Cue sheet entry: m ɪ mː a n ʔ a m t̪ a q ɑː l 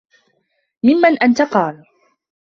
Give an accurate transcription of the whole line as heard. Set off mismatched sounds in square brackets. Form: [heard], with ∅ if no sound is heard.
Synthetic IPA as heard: m ɪ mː a n ʔ a [n] t̪ a q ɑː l